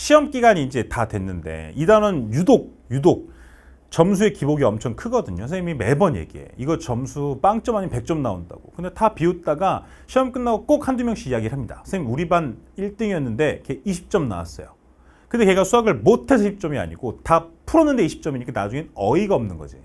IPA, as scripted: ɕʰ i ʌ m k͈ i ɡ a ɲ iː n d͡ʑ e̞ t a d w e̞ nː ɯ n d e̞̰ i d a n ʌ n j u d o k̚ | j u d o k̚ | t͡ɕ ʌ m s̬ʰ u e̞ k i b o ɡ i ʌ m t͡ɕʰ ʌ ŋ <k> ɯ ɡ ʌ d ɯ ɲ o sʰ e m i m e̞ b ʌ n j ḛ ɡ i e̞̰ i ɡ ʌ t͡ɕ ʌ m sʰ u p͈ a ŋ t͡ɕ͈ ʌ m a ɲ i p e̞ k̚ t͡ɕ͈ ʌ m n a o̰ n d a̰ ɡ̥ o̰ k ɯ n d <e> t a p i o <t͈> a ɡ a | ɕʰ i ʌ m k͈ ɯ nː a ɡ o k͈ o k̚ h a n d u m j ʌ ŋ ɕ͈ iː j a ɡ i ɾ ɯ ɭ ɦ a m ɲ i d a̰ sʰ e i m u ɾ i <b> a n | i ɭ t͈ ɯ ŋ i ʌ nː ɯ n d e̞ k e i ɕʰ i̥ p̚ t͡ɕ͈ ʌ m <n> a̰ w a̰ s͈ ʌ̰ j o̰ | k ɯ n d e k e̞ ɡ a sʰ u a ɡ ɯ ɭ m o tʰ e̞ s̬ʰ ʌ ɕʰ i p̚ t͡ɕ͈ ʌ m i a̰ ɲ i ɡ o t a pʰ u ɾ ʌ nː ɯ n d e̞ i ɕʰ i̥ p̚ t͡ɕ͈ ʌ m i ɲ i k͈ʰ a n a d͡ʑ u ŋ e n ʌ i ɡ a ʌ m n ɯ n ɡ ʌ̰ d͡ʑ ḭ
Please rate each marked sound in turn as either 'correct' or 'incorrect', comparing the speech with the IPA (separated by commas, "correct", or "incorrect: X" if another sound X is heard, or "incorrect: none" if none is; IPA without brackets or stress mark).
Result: incorrect: kʰ, correct, correct, correct, correct